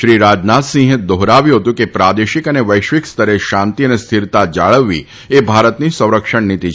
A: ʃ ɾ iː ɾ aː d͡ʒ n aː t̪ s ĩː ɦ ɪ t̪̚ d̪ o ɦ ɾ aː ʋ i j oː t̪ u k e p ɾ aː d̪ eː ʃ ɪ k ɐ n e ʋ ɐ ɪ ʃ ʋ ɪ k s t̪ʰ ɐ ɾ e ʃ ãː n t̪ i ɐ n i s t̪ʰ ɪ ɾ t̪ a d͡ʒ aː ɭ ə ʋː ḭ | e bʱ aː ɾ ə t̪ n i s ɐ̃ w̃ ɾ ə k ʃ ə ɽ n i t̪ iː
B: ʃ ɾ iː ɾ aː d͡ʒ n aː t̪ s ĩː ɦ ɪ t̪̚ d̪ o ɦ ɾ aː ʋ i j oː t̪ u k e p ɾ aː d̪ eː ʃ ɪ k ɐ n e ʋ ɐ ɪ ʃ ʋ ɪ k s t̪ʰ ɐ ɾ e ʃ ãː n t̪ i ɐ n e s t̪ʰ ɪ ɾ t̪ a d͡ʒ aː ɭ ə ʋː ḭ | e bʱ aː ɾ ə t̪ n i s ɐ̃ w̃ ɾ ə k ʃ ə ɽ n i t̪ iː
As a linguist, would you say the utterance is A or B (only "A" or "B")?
B